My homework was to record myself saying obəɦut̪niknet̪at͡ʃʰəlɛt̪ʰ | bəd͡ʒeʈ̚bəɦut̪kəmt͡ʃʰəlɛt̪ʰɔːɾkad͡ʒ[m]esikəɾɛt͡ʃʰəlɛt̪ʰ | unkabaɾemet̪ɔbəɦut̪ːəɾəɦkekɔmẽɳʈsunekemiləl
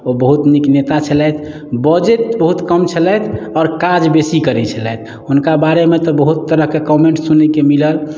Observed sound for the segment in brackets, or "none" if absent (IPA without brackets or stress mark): b